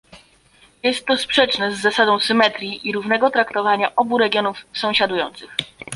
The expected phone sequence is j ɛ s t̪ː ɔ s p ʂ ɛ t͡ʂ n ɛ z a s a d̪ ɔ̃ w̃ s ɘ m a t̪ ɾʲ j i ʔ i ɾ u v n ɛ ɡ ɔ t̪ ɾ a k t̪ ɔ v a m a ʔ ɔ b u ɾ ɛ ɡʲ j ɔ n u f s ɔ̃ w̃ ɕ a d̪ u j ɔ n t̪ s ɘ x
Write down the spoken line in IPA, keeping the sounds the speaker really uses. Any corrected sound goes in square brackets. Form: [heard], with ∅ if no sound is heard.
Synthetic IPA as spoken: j ɛ s t̪ː ɔ s p ʂ ɛ t͡ʂ n ɛ [zː] a s a d̪ ɔ̃ w̃ s ɘ m [ɛ] t̪ ɾʲ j i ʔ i ɾ u v n ɛ ɡ ɔ t̪ ɾ a k t̪ ɔ v a [ɲ] a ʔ ɔ b u ɾ ɛ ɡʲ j ɔ n u f s ɔ̃ w̃ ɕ a d̪ u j ɔ n t̪ s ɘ x

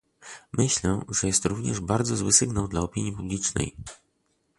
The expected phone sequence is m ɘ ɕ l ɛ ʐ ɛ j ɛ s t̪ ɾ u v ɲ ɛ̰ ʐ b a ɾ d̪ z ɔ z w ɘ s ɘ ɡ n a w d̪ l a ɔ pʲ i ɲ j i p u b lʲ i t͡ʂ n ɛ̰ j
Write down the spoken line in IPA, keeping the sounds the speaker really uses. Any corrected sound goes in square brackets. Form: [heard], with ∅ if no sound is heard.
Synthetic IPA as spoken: m ɘ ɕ l ɛ ʐ ɛ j ɛ s t̪ ɾ u v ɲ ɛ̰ ʐ b a ɾ d̪ z ɔ z w ɘ s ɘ ɡ n a w d̪ l a ɔ pʲ i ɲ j i p u b lʲ i t͡ʂ n ɛ̰ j

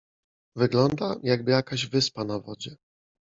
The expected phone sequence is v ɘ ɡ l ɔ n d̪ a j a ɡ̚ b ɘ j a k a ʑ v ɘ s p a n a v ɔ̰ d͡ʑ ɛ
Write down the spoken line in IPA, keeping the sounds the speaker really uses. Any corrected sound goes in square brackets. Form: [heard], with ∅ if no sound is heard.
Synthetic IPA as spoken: v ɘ ɡ l ɔ n d̪ a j a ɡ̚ b ɘ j a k a ʑ v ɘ s p a n a v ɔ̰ d͡ʑ ɛ

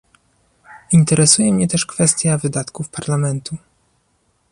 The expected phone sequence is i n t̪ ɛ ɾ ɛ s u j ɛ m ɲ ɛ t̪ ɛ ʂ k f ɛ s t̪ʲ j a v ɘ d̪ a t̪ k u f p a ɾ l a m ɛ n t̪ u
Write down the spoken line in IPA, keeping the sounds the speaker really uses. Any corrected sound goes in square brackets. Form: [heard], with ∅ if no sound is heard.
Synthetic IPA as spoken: i n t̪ ɛ ɾ ɛ s u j ɛ m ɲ ɛ t̪ ɛ ʂ k f ɛ s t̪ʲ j a v ɘ d̪ a t̪ k u f p a ɾ l a m ɛ n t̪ u

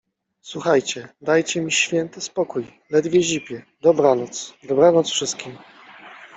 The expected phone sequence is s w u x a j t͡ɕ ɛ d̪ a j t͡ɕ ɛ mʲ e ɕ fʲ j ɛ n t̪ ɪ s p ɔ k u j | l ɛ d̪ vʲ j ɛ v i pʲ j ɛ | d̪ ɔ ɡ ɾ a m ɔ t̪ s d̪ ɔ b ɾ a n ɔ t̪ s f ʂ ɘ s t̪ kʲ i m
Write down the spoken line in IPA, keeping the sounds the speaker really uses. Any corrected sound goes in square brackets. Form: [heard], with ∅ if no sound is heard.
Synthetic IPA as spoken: s w u x a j t͡ɕ ɛ d̪ a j t͡ɕ ɛ mʲ [i] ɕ fʲ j ɛ n t̪ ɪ s p ɔ k u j | l ɛ d̪ vʲ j ɛ [ʑ] i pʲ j ɛ | d̪ ɔ [b] ɾ a [n] ɔ t̪ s d̪ ɔ b ɾ a n ɔ t̪ s f ʂ ɘ s t̪ kʲ i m

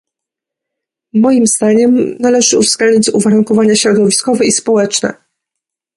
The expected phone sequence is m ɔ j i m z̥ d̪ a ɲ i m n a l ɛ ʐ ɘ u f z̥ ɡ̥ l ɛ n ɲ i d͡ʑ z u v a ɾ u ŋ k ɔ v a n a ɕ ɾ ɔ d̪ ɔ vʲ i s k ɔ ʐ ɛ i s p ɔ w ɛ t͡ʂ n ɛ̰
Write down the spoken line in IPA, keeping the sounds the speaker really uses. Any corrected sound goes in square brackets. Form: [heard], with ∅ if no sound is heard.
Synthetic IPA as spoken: m ɔ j i m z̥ d̪ a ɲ [ɛ] m n a l ɛ ʐ ɘ u [v] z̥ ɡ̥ l ɛ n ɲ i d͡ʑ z u v a ɾ u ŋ k ɔ v a [ɲ] a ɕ ɾ ɔ d̪ ɔ vʲ i s k ɔ [v] ɛ i s p ɔ w ɛ t͡ʂ n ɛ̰

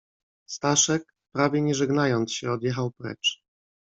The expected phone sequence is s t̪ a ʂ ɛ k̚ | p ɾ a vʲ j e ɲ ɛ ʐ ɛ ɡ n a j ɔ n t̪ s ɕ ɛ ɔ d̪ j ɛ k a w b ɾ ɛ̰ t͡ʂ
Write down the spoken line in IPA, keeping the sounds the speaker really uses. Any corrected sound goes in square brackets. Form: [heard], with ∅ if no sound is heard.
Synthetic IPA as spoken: s t̪ a ʂ ɛ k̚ | p ɾ a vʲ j [ɛ] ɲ ɛ ʐ ɛ ɡ n a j ɔ n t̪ s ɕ ɛ ɔ d̪ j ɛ [x] a w [p] ɾ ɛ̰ t͡ʂ

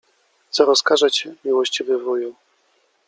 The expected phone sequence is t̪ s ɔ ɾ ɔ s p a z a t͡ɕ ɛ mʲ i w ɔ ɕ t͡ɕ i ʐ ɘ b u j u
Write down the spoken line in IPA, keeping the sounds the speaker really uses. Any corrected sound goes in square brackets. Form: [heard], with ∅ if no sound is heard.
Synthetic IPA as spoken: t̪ s ɔ ɾ ɔ s [k] a [ʐ] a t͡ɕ ɛ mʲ i w ɔ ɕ t͡ɕ i [v] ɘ [v] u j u

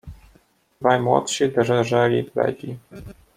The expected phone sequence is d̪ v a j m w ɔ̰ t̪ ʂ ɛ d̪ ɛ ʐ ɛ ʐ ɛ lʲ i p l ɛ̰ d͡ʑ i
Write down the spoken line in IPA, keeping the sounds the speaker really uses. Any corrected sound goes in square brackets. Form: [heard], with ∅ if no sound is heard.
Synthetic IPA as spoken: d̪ v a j m w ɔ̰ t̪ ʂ [i] d̪ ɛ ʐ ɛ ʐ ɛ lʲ i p l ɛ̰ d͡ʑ i

